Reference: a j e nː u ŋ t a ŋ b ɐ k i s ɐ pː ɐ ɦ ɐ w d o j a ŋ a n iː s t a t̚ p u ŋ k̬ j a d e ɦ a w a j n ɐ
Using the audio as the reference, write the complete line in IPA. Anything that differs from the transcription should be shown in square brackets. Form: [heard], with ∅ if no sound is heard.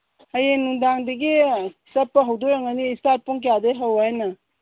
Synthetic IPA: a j e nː u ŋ [d] a ŋ [d] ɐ [ɡ] i s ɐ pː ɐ ɦ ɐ w d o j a ŋ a n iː s t a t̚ p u ŋ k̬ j a d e ɦ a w a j n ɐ